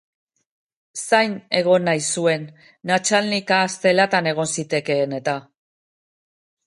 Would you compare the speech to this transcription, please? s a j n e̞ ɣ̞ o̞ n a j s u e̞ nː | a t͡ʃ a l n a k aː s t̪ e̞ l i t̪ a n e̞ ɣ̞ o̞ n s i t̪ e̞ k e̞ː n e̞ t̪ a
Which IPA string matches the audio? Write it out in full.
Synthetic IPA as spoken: s a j n e̞ ɣ̞ o̞ n a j s u e̞ nː | a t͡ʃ a l n i k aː s t̪ e̞ l a t̪ a n e̞ ɣ̞ o̞ n s i t̪ e̞ k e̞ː n e̞ t̪ a